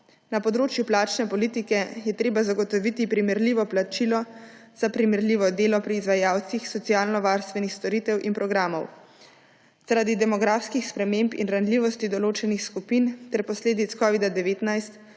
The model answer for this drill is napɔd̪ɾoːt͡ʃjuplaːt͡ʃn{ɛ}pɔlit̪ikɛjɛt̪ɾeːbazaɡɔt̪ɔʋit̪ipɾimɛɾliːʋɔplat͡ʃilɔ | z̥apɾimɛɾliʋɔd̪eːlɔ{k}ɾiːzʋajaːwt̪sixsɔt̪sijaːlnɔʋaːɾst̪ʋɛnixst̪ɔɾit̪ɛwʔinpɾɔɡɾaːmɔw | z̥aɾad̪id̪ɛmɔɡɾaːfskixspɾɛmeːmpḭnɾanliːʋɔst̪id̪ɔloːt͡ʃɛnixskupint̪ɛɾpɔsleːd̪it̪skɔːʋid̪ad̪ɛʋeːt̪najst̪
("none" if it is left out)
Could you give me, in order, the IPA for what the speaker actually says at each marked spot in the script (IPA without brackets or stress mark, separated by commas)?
ɛ, p